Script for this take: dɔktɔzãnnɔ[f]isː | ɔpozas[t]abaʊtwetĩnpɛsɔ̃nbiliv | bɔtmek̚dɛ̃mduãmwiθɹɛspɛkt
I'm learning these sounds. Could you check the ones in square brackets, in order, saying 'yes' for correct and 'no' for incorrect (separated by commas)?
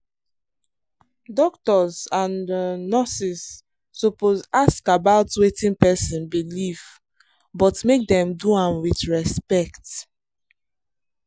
no, no